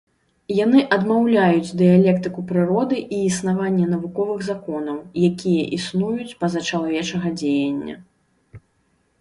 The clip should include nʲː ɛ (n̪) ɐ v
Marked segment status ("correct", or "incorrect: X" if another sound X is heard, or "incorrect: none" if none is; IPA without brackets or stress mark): correct